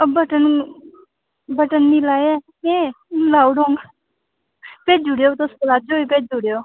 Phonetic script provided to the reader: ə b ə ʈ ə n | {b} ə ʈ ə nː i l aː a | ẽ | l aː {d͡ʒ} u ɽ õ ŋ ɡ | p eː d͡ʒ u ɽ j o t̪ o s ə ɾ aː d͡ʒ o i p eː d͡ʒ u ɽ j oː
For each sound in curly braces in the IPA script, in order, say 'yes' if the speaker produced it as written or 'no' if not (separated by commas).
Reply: yes, no